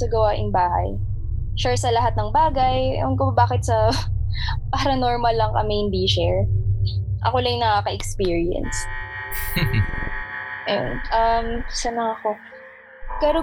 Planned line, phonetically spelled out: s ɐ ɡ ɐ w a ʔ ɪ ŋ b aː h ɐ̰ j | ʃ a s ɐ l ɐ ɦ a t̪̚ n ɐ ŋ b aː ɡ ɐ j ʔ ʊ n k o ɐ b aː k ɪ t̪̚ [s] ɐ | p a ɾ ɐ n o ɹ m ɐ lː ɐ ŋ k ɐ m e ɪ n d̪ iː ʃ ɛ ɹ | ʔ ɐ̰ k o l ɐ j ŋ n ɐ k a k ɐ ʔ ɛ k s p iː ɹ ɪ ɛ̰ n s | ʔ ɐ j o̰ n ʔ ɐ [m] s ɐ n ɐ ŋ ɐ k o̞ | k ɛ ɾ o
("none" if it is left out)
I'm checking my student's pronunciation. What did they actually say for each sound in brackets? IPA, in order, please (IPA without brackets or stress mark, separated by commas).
s, m